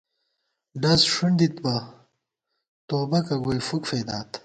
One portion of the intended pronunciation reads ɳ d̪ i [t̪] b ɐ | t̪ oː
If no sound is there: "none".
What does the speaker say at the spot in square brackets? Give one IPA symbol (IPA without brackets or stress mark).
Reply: t̪